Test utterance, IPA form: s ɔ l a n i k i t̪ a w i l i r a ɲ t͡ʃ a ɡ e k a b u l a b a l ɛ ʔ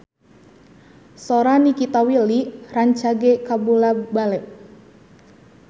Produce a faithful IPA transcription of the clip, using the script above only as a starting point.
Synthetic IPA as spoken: s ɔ ɾ a n i k i t̪ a w i l i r a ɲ t͡ʃ a ɡ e k a b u l a b a l ɛ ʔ